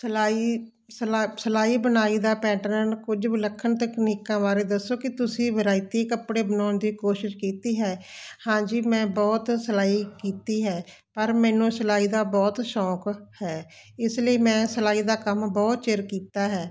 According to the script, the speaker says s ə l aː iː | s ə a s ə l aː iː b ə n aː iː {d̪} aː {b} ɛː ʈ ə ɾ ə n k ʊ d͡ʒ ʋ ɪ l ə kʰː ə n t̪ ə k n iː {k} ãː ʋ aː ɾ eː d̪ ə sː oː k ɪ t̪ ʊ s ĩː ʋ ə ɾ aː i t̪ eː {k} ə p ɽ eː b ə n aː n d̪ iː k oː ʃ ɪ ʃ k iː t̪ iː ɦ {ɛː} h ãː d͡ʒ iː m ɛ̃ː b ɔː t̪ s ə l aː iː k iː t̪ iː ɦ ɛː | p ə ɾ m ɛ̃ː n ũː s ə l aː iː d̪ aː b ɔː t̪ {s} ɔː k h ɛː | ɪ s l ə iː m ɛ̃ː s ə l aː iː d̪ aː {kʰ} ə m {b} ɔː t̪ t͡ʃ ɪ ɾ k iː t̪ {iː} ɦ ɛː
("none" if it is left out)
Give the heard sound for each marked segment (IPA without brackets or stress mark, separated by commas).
d̪, p, k, k, ɛː, ʃ, k, b, aː